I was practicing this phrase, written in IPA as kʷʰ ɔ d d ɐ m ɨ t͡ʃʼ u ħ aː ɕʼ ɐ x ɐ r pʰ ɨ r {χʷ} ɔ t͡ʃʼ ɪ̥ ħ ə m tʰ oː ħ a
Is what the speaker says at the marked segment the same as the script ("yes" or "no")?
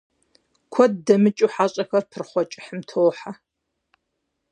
yes